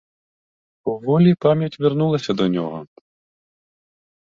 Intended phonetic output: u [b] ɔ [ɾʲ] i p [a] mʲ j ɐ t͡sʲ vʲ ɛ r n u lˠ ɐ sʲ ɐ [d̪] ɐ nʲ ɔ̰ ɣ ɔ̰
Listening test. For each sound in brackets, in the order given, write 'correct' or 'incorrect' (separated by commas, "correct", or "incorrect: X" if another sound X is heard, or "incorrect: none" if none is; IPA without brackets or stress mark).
incorrect: v, incorrect: lʲ, correct, correct